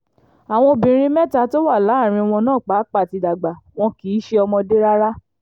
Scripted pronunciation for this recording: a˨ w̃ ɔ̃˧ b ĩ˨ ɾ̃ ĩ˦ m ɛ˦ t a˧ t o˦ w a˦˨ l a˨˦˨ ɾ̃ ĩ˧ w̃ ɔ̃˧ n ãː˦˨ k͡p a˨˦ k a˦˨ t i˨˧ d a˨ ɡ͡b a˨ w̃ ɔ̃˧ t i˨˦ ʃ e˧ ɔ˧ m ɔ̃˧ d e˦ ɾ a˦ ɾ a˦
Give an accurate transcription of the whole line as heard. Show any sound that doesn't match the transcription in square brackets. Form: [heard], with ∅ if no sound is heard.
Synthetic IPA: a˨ w̃ ɔ̃˧ b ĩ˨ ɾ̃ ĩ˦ m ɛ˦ t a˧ t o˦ w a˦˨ l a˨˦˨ ɾ̃ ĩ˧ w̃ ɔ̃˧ n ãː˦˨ k͡p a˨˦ [k͡p] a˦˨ t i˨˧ d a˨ ɡ͡b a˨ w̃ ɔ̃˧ [k] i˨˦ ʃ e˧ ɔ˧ m ɔ̃˧ d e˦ ɾ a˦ ɾ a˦